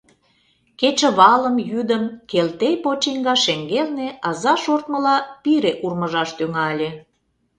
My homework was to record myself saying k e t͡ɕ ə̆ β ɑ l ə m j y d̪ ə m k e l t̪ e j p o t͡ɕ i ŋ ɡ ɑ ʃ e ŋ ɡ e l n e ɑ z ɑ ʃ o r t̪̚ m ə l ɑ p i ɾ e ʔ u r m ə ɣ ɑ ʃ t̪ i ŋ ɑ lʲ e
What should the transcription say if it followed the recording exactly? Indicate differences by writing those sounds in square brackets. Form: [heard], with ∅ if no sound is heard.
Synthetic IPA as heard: k e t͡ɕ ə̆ β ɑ l ə m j y d̪ ə m k e l t̪ e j p o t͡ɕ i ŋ ɡ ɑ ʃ e ŋ ɡ e l n e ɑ z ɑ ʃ o r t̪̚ m ə l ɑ p i ɾ e ʔ u r m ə [ʒ] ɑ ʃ t̪ [y] ŋ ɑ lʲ e